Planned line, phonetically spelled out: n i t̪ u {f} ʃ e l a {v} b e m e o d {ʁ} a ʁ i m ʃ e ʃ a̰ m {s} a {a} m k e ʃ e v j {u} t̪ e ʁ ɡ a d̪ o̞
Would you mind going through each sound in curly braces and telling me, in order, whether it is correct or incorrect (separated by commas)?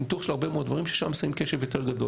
incorrect, incorrect, incorrect, correct, incorrect, incorrect